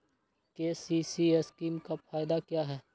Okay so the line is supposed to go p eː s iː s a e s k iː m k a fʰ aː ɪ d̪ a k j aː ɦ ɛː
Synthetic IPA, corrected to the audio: k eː s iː s i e s k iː m k a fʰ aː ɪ d̪ a k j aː ɦ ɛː

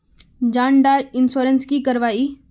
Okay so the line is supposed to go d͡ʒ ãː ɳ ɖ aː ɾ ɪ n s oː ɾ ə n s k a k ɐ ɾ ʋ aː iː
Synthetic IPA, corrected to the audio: d͡ʒ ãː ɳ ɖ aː ɾ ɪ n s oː ɾ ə n s k i k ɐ ɾ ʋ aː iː

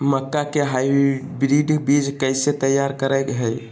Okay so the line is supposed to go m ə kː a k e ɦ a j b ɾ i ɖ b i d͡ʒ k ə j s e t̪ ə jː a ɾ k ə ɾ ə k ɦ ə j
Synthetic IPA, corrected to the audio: m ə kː a k e ɦ a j b ɾ i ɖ b i d͡ʒ k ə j s e t̪ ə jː a ɾ k ə ɾ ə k ɦ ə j

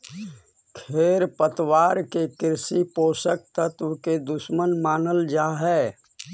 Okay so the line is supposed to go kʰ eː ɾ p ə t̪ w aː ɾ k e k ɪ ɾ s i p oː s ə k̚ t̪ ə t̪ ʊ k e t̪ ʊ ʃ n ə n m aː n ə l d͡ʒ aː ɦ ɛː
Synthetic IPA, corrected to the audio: kʰ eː ɾ p ə t̪ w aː ɾ k e k ɪ ɾ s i p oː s ə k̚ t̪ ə t̪ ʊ k e d̪ ʊ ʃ m ə n m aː n ə l d͡ʒ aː ɦ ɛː

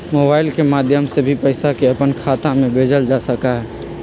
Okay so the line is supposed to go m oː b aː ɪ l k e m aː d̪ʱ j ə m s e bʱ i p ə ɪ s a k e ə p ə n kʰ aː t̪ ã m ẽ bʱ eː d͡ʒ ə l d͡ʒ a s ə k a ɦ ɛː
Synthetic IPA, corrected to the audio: m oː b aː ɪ l k e m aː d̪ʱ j ə m s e bʱ i p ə ɪ s a k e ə p ə n kʰ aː t̪ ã m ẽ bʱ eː d͡ʒ ə l d͡ʒ a s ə k a ɦ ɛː

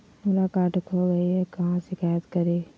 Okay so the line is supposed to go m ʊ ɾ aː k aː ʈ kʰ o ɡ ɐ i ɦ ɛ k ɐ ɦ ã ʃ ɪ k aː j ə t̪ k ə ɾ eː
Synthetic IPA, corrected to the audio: m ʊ l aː k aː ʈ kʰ o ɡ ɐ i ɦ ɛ k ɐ ɦ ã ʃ ɪ k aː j ə t̪ k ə ɾ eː

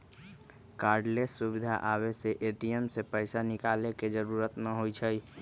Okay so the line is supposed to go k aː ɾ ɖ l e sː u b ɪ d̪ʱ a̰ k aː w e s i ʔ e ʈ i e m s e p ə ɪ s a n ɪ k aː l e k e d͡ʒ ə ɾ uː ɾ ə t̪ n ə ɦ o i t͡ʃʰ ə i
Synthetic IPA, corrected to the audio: k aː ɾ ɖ l e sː u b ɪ d̪ʱ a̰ ʔ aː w e s e ʔ e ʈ i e m s e p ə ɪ s a n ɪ k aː l e k e d͡ʒ ə ɾ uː ɾ ə t̪ n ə ɦ o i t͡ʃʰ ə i

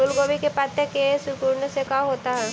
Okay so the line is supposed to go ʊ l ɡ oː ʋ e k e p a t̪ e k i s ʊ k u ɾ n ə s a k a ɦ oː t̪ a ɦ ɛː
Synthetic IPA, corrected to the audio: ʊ l ɡ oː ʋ i k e p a t̪ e k e s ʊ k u ɾ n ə s e k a ɦ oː t̪ a ɦ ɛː

